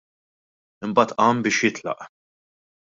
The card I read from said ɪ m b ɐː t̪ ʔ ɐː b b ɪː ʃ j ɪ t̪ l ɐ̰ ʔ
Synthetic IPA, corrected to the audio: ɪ m b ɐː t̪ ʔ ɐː m b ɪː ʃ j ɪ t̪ l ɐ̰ ʔ